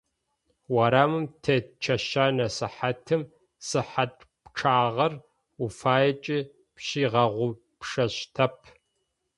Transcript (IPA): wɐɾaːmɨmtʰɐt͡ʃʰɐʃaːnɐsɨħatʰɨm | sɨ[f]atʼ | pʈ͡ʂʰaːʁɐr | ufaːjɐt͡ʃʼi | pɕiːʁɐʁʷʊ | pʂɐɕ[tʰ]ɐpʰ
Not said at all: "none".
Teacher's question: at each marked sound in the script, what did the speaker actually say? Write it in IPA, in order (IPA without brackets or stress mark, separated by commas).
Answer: ħ, tʰ